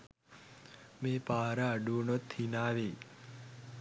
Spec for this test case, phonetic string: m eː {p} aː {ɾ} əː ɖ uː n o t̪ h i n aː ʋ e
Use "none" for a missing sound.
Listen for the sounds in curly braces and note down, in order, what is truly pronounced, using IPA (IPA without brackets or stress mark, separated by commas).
p, ɾ